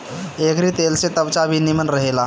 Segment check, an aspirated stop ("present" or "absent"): absent